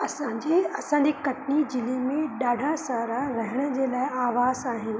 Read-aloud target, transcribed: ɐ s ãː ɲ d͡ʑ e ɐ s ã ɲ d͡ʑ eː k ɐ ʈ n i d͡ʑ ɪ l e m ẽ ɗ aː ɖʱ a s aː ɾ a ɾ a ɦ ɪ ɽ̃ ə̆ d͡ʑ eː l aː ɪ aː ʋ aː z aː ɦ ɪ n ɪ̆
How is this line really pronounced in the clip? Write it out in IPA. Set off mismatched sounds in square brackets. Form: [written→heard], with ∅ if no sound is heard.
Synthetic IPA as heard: ɐ s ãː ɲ d͡ʑ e ɐ s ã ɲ d͡ʑ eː k ɐ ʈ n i d͡ʑ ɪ l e m ẽ ɗ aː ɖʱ a s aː ɾ a ɾ [a→ɐ] ɦ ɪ ɽ̃ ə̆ d͡ʑ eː l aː ɪ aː ʋ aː z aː ɦ ɪ n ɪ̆